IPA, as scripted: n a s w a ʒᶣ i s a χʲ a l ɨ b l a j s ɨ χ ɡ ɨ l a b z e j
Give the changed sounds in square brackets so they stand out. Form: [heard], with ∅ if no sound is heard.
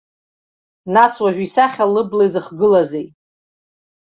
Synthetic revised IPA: n a s w a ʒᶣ i s a χʲ a l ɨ b l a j [z] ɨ χ ɡ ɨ l a [∅] z e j